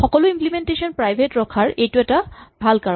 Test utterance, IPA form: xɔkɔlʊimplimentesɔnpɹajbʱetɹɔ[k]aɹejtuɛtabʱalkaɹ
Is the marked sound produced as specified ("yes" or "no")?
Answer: no